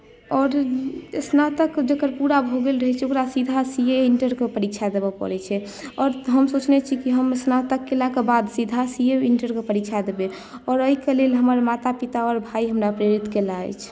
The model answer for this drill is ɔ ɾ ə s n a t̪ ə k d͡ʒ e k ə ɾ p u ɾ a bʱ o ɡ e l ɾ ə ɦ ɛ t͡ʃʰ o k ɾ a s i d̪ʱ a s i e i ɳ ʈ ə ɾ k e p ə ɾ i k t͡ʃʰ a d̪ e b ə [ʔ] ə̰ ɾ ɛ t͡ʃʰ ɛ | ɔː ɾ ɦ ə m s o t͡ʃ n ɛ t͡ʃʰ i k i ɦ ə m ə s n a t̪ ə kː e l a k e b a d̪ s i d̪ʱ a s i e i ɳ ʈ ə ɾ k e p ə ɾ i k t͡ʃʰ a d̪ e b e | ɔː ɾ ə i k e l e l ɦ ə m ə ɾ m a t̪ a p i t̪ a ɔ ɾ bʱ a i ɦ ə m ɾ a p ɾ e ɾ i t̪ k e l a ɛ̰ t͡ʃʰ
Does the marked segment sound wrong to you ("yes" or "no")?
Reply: yes